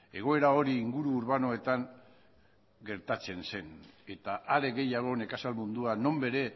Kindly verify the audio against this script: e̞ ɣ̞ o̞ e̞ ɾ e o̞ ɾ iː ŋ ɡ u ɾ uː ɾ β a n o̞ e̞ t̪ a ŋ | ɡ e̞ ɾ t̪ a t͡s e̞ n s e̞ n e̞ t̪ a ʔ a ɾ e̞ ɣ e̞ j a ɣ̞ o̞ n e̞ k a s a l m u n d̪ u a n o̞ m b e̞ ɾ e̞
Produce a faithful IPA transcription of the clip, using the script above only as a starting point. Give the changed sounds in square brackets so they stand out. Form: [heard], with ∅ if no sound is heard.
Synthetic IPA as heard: e̞ ɣ̞ o̞ e̞ ɾ [a] o̞ ɾ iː ŋ ɡ u ɾ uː ɾ β a n o̞ e̞ t̪ a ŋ | ɡ e̞ ɾ t̪ a t͡s e̞ n s e̞ n e̞ t̪ a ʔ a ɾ e̞ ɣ e̞ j a ɣ̞ o̞ n e̞ k a s a l m u n d̪ u a n o̞ m b e̞ ɾ e̞